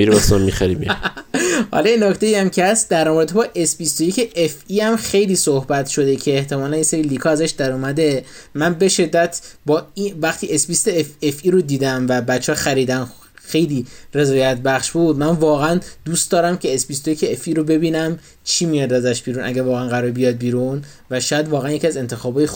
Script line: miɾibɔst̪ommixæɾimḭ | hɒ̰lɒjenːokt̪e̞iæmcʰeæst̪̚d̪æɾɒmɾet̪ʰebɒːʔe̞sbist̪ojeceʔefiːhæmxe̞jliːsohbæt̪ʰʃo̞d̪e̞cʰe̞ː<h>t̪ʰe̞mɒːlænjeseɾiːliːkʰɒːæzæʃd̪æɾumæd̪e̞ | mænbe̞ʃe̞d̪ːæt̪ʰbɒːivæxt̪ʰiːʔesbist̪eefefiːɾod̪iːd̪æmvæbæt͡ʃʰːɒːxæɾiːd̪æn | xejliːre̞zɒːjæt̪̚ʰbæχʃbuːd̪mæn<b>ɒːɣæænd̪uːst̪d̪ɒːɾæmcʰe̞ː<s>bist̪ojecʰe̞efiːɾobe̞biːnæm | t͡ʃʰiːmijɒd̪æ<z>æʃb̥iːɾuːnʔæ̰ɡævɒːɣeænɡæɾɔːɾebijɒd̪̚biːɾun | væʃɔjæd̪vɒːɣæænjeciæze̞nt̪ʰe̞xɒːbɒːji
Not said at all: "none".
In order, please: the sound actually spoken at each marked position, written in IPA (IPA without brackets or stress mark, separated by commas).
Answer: h, v, s, z